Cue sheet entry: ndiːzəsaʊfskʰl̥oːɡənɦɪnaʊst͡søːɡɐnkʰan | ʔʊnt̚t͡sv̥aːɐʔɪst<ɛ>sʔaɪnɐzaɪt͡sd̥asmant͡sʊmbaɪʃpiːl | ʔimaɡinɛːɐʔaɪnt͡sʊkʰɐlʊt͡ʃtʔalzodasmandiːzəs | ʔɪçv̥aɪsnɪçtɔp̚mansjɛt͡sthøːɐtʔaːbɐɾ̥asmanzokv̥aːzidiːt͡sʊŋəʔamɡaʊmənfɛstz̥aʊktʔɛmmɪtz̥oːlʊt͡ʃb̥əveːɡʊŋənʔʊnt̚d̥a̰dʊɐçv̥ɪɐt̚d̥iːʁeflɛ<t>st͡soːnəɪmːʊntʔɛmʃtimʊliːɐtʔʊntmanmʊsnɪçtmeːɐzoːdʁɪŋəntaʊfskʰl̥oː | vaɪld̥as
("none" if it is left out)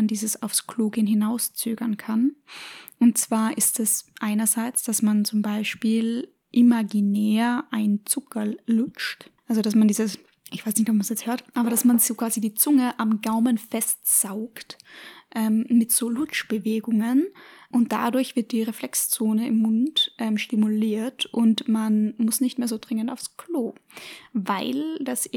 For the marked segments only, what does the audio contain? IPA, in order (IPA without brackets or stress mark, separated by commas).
ɛ, k